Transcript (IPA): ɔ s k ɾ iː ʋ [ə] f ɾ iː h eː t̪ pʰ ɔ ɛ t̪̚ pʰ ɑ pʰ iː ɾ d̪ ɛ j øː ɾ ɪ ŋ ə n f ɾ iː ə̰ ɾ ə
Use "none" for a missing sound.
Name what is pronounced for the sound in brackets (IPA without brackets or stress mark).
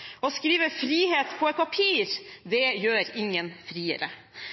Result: ə